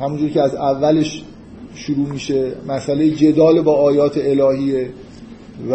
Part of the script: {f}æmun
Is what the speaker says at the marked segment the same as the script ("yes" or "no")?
no